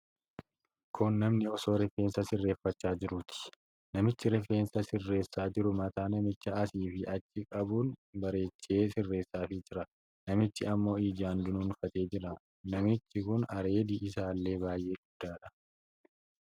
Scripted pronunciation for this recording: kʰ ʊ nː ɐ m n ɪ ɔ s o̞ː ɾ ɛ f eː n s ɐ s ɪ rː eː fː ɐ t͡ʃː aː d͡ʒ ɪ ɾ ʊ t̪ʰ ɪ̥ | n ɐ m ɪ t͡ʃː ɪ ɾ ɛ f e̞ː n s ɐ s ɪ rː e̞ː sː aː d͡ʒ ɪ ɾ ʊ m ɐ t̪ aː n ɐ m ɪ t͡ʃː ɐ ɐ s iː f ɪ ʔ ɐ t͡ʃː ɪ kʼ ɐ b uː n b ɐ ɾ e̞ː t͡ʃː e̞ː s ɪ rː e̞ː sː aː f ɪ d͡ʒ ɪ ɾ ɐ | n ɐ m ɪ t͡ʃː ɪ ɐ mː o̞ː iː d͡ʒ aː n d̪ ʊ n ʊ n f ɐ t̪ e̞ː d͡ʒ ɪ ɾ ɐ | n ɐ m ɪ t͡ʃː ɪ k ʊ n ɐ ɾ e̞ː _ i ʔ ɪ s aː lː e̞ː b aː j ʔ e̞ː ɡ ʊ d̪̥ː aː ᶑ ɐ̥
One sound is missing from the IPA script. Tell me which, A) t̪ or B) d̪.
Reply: B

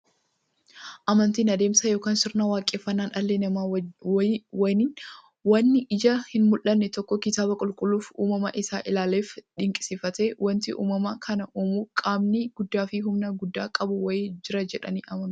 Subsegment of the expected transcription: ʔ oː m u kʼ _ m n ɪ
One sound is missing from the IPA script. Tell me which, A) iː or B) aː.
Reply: B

